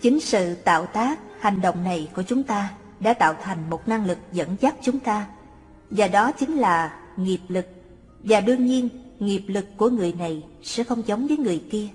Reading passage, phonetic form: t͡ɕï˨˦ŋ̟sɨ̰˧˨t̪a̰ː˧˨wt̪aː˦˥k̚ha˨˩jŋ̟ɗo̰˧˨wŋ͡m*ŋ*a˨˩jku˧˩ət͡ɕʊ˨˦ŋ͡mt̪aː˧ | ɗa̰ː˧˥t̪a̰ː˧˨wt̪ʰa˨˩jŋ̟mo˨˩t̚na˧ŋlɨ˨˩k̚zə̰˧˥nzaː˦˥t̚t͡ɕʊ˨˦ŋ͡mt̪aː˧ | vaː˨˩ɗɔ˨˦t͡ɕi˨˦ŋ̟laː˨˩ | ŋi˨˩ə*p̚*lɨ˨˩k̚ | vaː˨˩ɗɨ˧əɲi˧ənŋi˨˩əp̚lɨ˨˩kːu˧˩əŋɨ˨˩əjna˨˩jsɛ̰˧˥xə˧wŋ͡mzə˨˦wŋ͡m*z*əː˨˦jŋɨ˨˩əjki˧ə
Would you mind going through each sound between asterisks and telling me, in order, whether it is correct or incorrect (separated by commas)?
incorrect, correct, incorrect